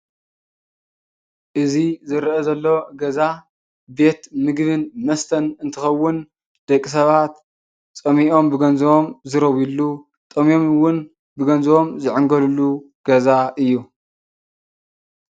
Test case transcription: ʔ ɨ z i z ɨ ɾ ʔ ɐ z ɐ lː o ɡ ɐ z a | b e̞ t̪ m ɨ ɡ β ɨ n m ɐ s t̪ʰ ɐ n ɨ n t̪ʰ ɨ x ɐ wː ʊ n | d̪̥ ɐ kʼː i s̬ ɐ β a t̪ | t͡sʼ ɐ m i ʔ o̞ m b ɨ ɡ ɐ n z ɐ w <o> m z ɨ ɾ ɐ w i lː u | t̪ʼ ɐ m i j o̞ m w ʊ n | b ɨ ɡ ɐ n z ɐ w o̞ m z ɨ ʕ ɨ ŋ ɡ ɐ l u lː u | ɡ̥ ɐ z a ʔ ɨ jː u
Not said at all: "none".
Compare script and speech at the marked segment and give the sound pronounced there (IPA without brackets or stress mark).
o